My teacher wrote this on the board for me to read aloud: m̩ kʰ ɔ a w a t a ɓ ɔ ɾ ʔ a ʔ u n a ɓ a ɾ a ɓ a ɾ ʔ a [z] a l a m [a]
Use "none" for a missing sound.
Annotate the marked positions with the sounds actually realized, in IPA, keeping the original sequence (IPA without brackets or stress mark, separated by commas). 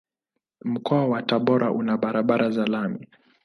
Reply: z, i